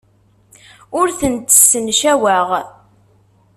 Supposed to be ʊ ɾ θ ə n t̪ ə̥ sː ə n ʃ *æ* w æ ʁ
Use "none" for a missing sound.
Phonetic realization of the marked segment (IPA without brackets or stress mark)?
æ